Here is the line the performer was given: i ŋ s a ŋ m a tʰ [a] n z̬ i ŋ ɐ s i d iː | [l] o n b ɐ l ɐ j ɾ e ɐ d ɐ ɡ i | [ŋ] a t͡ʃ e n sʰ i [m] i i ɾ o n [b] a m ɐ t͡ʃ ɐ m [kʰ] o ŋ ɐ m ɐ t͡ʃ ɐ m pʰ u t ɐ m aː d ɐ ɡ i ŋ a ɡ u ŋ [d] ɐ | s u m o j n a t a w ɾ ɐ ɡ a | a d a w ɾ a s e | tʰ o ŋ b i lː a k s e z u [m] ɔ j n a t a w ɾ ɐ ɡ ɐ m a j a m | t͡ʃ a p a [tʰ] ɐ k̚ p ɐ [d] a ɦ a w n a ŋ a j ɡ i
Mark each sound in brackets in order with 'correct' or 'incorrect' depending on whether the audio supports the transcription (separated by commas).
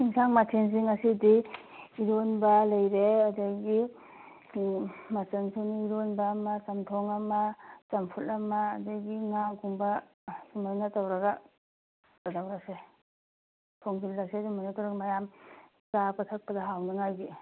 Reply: incorrect, incorrect, incorrect, incorrect, correct, incorrect, incorrect, correct, correct, correct